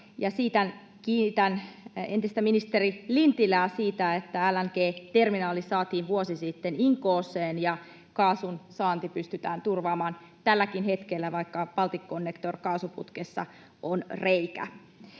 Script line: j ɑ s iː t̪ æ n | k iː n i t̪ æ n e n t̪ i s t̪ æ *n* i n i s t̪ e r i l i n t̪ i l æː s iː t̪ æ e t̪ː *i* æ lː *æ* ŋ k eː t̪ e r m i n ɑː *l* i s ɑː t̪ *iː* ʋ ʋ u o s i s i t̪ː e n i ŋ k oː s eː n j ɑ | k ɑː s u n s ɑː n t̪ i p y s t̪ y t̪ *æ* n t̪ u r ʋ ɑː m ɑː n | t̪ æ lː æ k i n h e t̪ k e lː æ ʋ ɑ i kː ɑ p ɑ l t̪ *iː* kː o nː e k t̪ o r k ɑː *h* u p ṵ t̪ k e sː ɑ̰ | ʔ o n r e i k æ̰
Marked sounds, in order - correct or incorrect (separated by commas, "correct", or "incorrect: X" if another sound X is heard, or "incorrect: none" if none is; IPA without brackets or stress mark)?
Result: incorrect: m, incorrect: æ, correct, correct, correct, incorrect: æː, incorrect: i, incorrect: s